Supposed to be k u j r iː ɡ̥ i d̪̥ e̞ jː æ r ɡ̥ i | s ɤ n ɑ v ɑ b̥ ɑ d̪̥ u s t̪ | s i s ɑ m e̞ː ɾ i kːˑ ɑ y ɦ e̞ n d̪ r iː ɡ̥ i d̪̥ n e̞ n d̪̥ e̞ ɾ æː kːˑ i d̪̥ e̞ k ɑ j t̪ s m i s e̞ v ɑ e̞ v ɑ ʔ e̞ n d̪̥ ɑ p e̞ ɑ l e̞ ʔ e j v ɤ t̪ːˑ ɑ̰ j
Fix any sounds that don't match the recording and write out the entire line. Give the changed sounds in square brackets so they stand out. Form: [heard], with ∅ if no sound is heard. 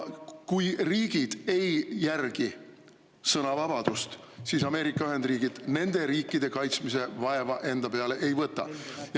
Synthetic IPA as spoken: k u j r iː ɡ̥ i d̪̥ e̞ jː æ r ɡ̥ i | s ɤ n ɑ v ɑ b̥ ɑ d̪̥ u s t̪ | s i s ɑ m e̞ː ɾ i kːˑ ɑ y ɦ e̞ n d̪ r iː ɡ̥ i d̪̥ n e̞ n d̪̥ e̞ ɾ [iː] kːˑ i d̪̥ e̞ k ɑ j t̪ s m i s e̞ v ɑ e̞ v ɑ ʔ e̞ n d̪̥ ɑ p e̞ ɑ l e̞ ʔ e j v ɤ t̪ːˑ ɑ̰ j